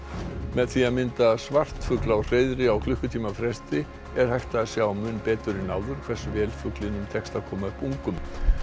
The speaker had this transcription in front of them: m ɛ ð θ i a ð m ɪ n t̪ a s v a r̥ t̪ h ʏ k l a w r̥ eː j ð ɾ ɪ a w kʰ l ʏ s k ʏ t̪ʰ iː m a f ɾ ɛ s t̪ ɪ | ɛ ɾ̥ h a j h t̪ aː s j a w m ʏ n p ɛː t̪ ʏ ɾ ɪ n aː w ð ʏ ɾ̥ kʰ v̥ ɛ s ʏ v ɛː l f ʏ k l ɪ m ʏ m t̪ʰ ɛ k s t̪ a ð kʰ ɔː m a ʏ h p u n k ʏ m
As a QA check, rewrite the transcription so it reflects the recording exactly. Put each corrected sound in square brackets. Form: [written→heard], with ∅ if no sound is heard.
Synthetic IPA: m ɛ ð θ i a ð m ɪ n t̪ a s v a r̥ t̪ [h→f] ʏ k l a w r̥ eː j ð ɾ ɪ a w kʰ l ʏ [s→h] k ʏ t̪ʰ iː m a f ɾ ɛ s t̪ ɪ | ɛ ɾ̥ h a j h t̪ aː s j a w m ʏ n p ɛː t̪ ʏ ɾ ɪ n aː w ð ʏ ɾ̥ kʰ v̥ ɛ s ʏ v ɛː l f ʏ k l ɪ [m→n] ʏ m t̪ʰ ɛ k s t̪ a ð kʰ ɔː m a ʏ h p u [n→ŋ] k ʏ m